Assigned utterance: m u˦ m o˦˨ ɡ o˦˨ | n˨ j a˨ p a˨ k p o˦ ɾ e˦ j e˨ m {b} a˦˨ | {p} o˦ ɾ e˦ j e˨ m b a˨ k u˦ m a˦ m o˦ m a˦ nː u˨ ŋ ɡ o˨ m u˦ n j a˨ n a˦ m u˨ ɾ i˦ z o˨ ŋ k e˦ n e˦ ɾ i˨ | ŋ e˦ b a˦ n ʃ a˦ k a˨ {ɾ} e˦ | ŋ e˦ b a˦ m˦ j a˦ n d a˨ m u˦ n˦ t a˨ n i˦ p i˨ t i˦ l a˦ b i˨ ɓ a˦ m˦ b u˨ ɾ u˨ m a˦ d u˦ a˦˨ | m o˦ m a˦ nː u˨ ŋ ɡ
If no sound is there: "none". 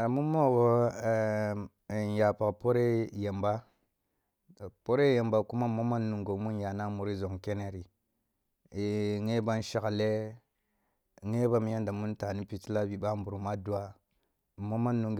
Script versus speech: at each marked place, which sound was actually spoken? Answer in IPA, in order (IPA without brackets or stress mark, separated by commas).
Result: b, p, l